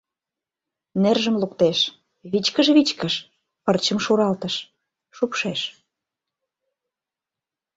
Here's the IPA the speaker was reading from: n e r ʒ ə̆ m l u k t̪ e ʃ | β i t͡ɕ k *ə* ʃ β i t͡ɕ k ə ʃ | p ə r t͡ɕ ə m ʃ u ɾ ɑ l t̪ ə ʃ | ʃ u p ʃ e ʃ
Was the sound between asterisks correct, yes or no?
yes